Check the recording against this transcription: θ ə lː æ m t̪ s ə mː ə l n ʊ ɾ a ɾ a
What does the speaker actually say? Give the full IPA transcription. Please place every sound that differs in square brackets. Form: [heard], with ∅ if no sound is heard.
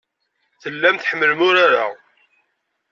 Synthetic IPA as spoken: θ ə lː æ m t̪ [ħ] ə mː ə l [m] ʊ ɾ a ɾ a